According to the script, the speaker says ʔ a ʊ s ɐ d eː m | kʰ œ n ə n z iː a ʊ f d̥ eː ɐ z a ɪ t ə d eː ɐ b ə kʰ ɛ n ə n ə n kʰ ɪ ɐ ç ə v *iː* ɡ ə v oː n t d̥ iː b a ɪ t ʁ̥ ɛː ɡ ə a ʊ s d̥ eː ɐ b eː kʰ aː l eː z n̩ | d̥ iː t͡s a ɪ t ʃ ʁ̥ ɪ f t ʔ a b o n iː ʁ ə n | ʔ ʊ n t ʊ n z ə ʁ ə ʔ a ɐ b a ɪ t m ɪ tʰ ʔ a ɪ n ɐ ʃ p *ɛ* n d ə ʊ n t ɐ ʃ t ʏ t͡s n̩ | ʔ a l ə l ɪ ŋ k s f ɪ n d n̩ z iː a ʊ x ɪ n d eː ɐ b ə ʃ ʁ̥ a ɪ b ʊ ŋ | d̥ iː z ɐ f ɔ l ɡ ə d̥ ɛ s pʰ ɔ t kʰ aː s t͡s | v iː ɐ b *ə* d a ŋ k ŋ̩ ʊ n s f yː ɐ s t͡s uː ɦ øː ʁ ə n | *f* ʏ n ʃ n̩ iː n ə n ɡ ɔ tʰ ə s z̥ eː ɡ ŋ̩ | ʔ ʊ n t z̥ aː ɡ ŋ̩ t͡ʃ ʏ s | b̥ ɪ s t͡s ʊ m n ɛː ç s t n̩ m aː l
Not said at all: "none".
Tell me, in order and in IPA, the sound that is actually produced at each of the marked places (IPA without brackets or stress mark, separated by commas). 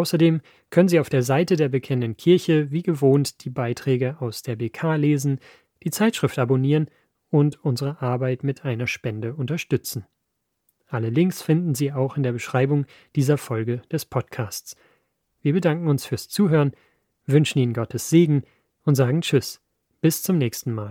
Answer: iː, ɛ, ə, v